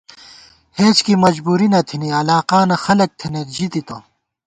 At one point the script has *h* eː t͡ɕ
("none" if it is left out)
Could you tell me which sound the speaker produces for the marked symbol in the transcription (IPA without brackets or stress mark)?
h